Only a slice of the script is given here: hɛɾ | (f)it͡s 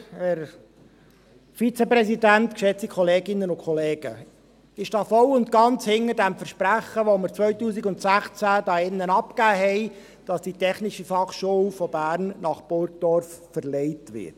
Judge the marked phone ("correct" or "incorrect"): correct